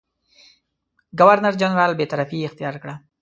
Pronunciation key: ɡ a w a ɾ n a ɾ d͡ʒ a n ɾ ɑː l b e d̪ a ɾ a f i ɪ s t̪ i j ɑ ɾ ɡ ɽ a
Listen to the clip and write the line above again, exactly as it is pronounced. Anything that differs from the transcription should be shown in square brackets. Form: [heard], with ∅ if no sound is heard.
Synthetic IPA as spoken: ɡ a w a ɾ n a ɾ d͡ʒ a n ɾ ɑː l b e [t̪] a ɾ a f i ɪ [x] t̪ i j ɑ ɾ [k] ɽ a